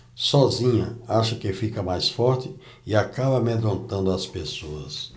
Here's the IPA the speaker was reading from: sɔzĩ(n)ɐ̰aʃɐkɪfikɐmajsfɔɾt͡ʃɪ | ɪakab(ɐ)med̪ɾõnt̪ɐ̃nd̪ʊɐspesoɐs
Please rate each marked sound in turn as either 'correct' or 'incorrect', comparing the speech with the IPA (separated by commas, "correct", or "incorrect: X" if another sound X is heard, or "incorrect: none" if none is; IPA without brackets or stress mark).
incorrect: ɲ, correct